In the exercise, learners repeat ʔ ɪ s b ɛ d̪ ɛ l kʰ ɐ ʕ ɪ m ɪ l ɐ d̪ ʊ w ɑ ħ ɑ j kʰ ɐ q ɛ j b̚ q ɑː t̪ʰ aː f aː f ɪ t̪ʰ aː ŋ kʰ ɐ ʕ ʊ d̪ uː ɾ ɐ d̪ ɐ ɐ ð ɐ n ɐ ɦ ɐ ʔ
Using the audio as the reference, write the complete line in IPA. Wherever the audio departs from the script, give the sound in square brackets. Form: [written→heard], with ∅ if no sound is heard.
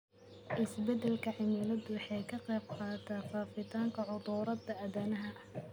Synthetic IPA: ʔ ɪ s b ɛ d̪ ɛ l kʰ ɐ ʕ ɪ m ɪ l ɐ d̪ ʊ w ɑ ħ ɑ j kʰ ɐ q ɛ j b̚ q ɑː t̪ʰ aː f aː f ɪ t̪ʰ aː ŋ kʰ ɐ ʕ ʊ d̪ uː ɾ ɐ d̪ ɐ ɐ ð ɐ n ɐ ɦ ɐ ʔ